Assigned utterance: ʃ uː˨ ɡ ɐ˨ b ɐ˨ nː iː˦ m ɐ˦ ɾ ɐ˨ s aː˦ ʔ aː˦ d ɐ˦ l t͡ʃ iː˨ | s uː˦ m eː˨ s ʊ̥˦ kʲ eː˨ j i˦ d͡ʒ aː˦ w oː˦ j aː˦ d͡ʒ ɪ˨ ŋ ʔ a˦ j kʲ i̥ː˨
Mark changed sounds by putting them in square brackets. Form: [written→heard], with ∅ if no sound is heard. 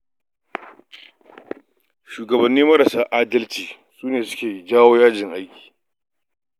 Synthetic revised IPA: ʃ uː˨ ɡ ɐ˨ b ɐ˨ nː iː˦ m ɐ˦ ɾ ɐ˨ s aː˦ ʔ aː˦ d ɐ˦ l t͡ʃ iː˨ | s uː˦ [m→n] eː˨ s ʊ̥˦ kʲ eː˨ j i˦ d͡ʒ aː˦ w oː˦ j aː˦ d͡ʒ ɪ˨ ŋ ʔ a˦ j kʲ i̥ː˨